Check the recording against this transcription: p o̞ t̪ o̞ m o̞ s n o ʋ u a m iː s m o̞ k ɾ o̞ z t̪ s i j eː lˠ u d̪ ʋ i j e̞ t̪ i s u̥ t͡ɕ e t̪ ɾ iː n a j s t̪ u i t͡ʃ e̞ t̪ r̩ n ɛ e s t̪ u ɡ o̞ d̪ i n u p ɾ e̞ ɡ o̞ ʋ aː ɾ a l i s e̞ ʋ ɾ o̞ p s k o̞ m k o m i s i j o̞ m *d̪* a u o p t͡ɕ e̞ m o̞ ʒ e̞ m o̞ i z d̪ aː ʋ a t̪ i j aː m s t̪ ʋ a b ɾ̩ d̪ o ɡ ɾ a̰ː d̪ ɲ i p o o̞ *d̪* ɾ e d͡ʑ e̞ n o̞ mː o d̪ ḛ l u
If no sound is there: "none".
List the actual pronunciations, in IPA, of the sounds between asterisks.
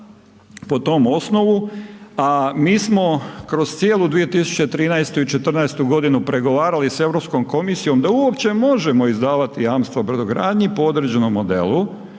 d̪, d̪

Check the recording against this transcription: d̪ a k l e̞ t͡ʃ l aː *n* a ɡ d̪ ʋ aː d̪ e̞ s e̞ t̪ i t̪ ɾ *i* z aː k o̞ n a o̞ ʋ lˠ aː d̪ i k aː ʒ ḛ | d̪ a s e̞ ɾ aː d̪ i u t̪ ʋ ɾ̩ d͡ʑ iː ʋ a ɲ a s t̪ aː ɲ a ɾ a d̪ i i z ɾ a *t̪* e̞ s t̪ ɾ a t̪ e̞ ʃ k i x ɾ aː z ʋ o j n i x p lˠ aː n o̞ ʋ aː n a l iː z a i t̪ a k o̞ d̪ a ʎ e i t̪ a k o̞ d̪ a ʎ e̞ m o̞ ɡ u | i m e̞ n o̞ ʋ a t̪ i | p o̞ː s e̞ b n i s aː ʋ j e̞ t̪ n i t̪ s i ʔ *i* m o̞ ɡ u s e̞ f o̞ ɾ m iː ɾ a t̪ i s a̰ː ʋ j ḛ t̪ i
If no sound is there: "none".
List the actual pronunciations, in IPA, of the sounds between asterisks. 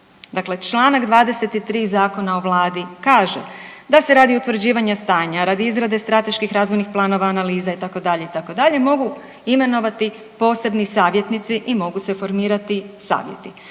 n, iː, d̪, i

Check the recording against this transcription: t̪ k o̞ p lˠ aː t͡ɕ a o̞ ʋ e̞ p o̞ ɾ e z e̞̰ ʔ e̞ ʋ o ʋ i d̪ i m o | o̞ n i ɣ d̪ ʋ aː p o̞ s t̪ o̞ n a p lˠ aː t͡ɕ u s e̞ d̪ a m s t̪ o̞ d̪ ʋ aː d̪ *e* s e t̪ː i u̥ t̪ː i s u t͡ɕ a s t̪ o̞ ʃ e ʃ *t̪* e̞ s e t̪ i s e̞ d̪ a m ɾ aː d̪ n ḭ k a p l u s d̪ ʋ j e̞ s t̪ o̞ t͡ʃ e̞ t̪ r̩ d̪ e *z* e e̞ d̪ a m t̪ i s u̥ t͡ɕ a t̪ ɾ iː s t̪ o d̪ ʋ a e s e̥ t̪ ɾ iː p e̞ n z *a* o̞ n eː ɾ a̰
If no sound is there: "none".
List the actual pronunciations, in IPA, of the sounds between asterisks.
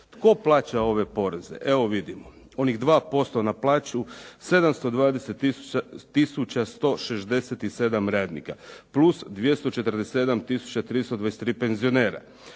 e, d̪, s, i

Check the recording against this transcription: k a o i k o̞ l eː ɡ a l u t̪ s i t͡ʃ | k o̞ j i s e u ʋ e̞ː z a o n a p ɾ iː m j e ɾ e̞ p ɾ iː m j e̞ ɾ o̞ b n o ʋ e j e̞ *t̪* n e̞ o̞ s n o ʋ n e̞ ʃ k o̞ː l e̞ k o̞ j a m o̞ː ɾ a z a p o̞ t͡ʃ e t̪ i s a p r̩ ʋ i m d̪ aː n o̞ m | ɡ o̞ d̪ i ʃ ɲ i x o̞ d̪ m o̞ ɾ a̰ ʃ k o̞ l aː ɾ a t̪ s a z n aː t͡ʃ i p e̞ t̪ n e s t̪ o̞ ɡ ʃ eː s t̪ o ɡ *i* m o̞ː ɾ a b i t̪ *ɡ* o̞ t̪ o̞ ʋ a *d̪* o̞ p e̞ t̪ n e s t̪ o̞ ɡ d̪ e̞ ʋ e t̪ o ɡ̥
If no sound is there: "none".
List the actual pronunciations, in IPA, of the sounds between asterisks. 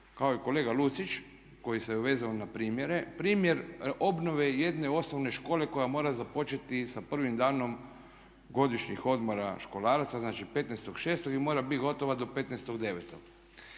d̪, i, ɡ, d̪

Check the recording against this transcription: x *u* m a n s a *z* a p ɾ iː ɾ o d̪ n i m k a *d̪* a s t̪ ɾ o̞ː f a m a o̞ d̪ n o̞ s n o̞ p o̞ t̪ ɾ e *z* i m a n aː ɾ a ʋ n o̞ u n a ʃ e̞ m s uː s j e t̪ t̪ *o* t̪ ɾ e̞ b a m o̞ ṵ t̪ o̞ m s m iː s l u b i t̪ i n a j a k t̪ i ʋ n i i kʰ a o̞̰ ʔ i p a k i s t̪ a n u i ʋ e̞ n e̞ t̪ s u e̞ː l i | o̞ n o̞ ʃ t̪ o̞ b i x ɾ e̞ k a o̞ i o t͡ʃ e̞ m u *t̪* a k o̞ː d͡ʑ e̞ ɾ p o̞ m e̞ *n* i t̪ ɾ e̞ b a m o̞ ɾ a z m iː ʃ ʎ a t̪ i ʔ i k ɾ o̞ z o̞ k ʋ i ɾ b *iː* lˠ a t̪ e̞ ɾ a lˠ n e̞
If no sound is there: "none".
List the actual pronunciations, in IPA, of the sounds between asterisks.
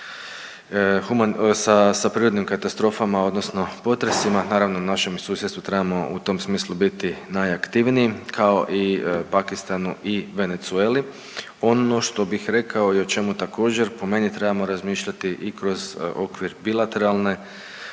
u, s, t̪, s, u, t̪, n, i

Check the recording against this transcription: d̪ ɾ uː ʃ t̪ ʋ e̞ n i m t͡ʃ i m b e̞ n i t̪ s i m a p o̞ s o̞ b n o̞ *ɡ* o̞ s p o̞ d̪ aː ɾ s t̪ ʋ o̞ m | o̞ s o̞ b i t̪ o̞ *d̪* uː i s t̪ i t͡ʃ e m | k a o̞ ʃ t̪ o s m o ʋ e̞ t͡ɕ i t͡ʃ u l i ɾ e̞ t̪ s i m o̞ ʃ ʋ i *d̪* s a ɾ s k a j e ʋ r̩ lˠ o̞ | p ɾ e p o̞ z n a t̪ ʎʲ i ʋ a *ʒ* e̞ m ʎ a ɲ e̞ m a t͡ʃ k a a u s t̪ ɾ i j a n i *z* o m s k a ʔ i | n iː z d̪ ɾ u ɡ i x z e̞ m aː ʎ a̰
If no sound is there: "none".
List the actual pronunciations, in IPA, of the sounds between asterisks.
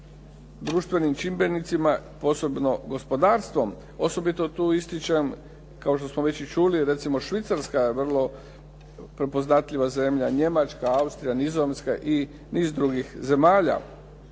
ɡ, t̪, t̪, z, z

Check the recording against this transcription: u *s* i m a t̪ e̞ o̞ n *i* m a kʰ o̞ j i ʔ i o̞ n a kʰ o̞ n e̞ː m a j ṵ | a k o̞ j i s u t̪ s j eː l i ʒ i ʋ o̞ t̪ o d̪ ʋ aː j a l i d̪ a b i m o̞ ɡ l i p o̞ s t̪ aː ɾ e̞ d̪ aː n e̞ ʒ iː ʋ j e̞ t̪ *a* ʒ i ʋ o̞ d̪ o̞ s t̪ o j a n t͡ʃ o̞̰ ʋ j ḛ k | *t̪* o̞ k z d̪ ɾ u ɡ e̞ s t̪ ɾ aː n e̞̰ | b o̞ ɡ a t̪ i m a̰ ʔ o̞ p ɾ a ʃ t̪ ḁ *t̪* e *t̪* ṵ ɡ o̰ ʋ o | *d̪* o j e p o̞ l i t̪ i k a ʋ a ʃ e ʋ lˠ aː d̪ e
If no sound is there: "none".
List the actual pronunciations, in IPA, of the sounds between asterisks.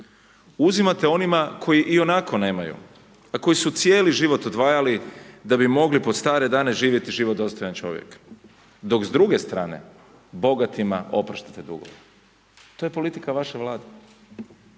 z, i, i, d̪, t̪, d̪, t̪

